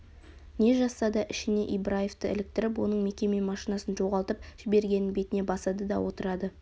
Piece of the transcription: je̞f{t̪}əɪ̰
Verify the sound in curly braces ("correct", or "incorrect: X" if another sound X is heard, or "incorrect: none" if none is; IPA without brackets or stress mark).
correct